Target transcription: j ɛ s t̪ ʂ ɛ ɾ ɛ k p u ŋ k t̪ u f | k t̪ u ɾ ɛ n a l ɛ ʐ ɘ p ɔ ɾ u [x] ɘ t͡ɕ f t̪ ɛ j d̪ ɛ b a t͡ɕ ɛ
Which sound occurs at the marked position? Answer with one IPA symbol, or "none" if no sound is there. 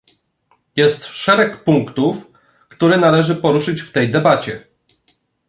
ʂ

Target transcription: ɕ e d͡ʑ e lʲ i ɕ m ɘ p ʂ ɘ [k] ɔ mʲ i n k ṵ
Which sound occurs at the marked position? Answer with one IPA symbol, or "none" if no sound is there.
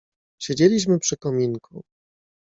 k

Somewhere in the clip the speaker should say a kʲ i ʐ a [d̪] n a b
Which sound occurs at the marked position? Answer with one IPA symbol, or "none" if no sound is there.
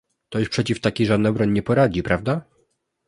d̪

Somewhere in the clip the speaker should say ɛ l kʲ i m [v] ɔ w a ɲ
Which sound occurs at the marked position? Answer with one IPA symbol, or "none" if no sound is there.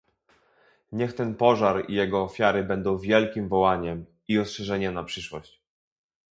v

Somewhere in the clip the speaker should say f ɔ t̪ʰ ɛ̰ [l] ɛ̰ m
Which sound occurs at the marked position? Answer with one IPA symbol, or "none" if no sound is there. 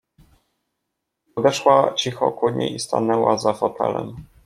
l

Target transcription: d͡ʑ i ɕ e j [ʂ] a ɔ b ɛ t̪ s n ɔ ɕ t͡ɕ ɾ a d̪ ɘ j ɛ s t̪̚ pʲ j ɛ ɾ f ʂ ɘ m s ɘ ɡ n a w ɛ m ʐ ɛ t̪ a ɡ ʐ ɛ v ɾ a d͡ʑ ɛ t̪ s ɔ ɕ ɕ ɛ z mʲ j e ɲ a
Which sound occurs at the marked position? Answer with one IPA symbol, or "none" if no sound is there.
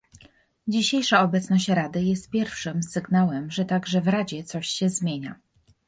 ʂ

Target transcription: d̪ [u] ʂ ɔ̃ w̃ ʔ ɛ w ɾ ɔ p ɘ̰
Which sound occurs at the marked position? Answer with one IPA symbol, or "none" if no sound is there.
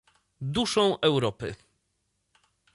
u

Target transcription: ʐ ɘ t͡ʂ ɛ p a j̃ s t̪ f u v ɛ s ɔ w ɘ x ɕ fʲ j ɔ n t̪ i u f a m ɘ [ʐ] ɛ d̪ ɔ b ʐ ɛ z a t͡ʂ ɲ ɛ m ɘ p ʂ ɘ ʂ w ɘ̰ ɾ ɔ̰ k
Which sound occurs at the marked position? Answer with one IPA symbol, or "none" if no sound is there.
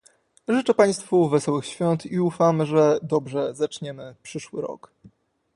ʐ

